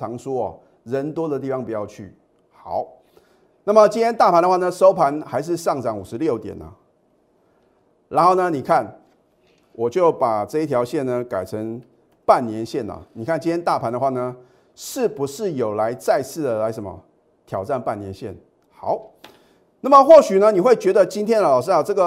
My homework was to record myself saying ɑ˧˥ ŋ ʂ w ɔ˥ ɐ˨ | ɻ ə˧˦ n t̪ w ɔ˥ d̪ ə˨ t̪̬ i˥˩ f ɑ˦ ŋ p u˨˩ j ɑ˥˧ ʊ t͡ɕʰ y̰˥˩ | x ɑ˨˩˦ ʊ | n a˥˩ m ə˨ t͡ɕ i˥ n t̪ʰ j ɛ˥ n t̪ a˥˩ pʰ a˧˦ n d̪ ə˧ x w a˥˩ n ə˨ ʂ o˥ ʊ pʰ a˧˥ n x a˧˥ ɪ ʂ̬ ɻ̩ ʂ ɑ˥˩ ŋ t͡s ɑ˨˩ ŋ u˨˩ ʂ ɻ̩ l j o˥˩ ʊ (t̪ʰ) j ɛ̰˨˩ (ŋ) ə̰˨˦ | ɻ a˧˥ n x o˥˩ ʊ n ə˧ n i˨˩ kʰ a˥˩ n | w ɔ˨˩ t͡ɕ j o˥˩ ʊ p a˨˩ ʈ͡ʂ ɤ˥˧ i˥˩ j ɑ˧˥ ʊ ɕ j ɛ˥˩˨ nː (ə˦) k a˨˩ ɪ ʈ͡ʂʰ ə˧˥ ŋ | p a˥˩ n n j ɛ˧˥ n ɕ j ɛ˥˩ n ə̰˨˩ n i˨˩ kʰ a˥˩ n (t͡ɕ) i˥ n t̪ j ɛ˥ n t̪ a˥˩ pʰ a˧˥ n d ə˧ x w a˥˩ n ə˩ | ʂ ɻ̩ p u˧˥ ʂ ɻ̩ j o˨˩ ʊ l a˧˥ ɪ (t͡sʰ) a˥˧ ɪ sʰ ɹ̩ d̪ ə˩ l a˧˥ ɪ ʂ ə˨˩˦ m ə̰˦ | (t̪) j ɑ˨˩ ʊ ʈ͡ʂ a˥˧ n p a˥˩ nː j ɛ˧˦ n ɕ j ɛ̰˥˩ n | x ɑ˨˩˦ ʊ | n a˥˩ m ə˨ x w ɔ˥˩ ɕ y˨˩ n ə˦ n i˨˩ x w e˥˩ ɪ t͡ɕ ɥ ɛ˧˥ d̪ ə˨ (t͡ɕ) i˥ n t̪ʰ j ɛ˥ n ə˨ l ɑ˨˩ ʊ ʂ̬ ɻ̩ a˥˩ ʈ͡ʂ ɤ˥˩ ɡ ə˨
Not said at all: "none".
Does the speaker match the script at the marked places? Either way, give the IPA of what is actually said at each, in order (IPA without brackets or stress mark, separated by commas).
t̪, n, ə˩, t͡ɕ, t͡s, t̪ʰ, t͡ɕ